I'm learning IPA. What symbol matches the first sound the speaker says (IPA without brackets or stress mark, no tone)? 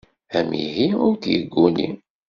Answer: æ